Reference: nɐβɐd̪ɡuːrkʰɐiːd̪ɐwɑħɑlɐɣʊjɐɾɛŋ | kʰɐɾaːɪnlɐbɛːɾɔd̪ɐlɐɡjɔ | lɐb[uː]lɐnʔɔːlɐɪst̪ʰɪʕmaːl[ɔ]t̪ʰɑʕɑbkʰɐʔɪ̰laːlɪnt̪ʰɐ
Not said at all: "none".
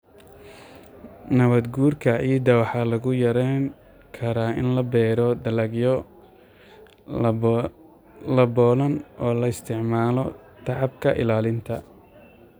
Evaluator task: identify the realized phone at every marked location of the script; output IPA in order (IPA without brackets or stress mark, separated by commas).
ɔː, ɔ